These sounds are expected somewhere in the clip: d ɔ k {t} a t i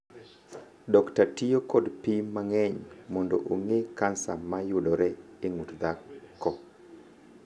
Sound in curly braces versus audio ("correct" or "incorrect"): correct